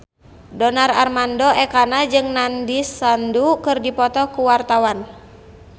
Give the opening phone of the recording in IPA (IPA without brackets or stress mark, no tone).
d